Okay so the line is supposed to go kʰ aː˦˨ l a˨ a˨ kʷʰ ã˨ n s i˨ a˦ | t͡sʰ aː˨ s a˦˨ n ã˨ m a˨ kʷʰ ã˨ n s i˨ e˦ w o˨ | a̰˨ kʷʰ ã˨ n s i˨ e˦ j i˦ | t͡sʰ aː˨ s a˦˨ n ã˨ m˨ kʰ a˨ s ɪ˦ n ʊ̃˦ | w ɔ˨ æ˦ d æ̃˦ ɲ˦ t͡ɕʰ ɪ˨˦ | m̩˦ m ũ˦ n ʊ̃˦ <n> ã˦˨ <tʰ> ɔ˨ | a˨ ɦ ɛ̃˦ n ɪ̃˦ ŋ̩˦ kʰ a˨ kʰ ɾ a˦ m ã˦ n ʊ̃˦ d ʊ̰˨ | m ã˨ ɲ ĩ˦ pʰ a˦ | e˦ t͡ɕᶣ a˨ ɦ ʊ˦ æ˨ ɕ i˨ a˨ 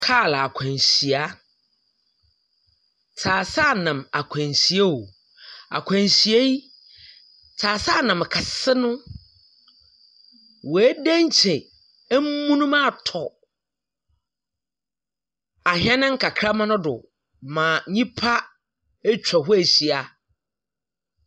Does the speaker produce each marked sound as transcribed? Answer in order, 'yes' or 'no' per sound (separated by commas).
no, yes